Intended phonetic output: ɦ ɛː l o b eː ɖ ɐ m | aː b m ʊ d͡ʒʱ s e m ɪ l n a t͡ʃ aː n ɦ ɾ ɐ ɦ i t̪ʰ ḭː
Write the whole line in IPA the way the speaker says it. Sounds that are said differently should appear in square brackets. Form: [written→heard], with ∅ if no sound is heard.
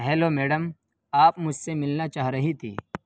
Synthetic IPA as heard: ɦ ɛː l o [b→m] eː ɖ [ɐ→ə] m | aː [b→p] m ʊ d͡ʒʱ s e m ɪ l n a t͡ʃ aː [n→∅] ɦ ɾ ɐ ɦ i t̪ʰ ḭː